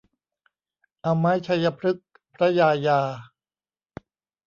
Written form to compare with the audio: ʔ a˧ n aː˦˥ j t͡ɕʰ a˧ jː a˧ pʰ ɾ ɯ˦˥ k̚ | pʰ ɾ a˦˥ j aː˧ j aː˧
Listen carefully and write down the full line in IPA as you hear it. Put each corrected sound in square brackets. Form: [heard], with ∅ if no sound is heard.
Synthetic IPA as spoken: ʔ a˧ [m] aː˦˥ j t͡ɕʰ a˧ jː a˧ pʰ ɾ ɯ˦˥ k̚ | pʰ ɾ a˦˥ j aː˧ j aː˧